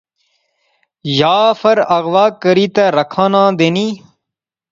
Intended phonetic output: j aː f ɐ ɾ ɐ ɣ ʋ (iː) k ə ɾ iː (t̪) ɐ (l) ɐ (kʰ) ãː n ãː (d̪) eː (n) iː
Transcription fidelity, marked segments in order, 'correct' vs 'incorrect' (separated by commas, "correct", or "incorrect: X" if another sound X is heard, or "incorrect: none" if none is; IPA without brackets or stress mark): incorrect: aː, correct, incorrect: ɾ, correct, correct, correct